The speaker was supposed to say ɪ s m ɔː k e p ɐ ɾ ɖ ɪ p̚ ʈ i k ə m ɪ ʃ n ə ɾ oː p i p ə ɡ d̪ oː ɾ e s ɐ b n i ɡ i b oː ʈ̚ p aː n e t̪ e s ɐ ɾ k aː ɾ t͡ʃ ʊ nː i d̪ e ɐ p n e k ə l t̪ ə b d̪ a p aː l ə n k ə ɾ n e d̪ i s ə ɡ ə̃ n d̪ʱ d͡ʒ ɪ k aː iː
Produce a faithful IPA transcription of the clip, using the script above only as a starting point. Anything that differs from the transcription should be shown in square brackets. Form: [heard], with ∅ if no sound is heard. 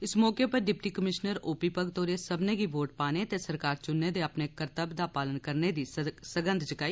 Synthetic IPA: ɪ s m ɔː k e p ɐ ɾ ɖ ɪ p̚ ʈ i k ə m ɪ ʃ n ə ɾ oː p i p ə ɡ [t̪] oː ɾ e s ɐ b n [e] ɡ i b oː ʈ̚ p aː n e t̪ e s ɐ ɾ k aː ɾ t͡ʃ ʊ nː [e] d̪ e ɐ p n e k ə [ɾ] t̪ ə b d̪ a p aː l ə n k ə ɾ n e d̪ i s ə ɡ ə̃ n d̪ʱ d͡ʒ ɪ k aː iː